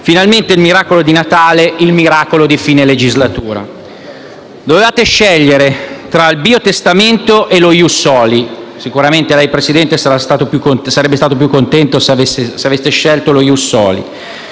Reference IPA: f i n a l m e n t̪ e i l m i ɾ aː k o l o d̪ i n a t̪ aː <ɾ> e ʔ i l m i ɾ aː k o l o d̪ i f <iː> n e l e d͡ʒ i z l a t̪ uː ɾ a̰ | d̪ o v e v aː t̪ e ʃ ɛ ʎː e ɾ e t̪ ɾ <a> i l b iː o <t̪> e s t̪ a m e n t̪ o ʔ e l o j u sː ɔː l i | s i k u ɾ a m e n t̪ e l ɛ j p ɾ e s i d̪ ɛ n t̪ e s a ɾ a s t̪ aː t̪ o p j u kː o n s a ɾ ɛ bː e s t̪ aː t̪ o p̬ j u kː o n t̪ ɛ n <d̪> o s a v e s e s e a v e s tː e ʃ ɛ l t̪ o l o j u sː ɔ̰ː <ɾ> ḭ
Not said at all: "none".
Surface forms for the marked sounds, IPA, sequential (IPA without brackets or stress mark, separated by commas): l, iː, a, t̪, t̪, l